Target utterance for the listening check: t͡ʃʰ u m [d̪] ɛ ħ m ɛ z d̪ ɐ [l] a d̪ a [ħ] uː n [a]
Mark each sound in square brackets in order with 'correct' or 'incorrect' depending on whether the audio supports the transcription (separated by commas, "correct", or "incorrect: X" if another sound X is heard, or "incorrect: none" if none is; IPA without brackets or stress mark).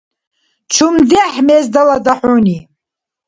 correct, correct, correct, incorrect: i